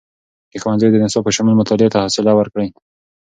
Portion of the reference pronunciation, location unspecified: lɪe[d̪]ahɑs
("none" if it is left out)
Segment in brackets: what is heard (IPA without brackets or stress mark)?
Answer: t̪